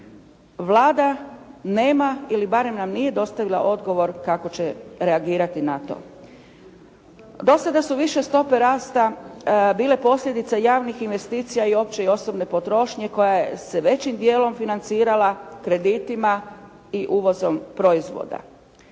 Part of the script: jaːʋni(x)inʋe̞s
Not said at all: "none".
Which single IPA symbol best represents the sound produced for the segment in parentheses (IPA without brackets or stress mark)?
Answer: x